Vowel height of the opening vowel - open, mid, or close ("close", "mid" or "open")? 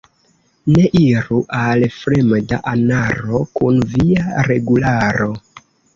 mid